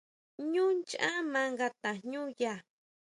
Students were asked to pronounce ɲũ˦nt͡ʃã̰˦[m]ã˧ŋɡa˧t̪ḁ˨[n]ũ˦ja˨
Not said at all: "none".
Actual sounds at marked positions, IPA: m, ɲ

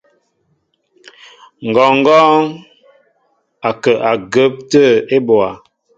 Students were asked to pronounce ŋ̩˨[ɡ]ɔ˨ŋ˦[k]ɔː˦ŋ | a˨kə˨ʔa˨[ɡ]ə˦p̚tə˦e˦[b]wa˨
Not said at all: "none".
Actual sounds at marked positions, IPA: ɡ, ɡ, ɡ, b

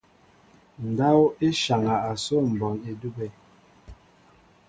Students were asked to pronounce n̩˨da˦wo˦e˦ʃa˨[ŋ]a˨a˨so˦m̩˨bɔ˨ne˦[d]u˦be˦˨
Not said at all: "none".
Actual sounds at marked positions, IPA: ŋ, d

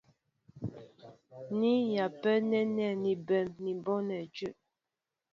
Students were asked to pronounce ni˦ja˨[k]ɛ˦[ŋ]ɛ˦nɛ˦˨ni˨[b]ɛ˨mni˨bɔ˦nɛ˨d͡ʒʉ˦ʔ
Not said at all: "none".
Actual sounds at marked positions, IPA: p, n, b

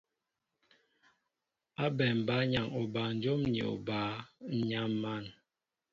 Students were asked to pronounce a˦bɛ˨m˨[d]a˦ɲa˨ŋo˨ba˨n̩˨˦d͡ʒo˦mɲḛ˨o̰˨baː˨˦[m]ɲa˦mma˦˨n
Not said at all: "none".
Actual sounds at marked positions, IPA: b, none

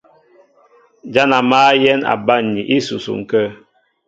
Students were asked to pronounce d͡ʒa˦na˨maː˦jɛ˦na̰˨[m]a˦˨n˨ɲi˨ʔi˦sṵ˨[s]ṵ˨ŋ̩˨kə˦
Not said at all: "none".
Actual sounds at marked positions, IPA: b, s

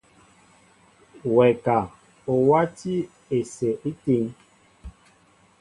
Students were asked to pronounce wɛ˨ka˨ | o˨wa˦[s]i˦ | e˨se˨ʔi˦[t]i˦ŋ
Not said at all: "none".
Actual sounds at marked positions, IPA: t, t

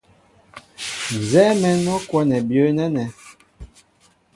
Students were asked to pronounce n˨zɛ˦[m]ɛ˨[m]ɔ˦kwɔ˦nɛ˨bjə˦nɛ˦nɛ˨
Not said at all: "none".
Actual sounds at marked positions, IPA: m, n

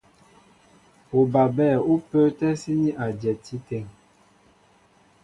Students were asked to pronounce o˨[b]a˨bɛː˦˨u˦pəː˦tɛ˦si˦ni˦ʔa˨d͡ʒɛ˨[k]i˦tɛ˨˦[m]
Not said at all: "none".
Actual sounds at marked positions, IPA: b, t, ŋ

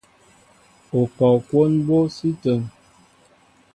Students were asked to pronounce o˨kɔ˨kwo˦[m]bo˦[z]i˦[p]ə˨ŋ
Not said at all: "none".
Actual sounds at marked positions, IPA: n, s, t

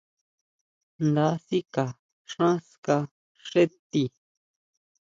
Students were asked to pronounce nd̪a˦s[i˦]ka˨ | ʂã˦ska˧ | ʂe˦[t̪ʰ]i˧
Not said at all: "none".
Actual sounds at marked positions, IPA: i˦, t̪

